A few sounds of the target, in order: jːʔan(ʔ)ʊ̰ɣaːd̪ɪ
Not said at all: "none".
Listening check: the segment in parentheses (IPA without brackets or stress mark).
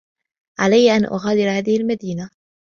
ʔ